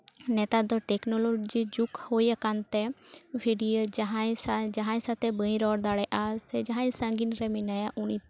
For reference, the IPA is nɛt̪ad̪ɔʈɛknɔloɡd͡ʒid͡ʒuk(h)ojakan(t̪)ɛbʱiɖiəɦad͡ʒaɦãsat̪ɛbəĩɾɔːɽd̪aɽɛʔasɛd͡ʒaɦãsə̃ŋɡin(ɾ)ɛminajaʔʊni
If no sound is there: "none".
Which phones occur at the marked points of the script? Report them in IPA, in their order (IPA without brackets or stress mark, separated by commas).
h, t̪, ɾ